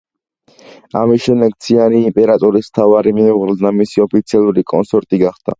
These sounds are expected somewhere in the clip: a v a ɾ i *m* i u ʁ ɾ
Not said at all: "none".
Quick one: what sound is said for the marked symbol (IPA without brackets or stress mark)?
m